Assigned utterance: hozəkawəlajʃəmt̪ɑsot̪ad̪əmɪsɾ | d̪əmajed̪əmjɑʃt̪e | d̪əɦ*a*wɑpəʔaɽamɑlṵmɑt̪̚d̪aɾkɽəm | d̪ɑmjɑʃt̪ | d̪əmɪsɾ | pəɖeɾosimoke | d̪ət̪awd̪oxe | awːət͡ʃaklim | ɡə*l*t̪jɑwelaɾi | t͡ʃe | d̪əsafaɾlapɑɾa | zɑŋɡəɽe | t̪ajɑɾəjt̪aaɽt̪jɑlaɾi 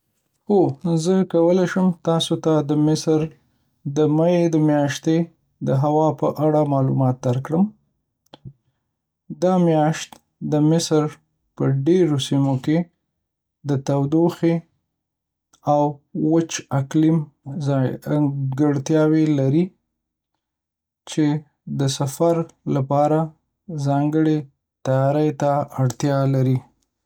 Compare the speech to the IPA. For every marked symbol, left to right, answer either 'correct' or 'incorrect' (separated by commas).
correct, incorrect